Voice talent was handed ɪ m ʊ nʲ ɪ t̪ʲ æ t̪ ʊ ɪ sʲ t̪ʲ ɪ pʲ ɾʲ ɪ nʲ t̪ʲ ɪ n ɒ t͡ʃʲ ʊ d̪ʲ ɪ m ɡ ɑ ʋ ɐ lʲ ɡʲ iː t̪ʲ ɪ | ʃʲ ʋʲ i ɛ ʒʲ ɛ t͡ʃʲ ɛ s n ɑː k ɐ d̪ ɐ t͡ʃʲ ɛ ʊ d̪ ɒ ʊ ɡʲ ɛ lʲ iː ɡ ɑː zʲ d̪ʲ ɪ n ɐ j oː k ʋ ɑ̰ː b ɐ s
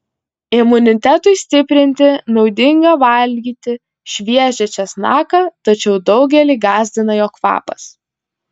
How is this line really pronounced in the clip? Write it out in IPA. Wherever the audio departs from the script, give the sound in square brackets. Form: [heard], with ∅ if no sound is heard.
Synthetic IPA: ɪ m ʊ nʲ ɪ t̪ʲ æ t̪ ʊ ɪ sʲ t̪ʲ ɪ pʲ ɾʲ ɪ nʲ t̪ʲ ɪ n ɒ [∅] ʊ d̪ʲ ɪ [ŋ] ɡ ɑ ʋ ɐ lʲ ɡʲ iː t̪ʲ ɪ | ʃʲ ʋʲ i ɛ ʒʲ ɛ t͡ʃʲ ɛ s n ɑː k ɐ [t̪] ɐ t͡ʃʲ ɛ ʊ d̪ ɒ ʊ ɡʲ ɛ lʲ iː ɡ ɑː zʲ d̪ʲ ɪ n ɐ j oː k ʋ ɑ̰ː [p] ɐ s